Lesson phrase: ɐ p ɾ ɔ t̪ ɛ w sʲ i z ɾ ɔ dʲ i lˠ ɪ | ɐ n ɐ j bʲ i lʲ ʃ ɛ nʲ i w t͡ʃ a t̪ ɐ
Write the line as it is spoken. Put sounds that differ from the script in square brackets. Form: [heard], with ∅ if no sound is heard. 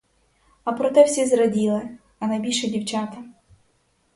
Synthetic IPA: ɐ p ɾ ɔ t̪ ɛ w sʲ i z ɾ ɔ dʲ i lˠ ɪ | ɐ n ɐ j bʲ i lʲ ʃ ɛ [dʲ] i w t͡ʃ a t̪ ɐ